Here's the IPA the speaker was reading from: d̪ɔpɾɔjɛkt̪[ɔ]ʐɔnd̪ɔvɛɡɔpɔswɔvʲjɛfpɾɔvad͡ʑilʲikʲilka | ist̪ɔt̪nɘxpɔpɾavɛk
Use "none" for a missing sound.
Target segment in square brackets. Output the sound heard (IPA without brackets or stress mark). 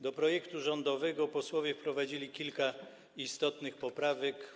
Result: u